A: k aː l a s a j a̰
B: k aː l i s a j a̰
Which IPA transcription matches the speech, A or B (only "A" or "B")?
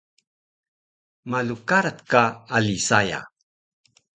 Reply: B